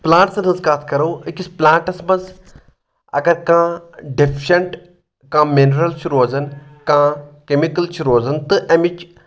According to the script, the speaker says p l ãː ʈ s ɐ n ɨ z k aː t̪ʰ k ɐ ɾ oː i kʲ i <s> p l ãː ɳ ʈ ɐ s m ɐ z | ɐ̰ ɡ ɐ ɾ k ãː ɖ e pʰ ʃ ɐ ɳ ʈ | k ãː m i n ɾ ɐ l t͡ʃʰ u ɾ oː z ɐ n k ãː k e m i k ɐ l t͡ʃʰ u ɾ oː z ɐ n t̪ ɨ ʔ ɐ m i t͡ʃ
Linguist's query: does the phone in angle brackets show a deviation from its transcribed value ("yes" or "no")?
no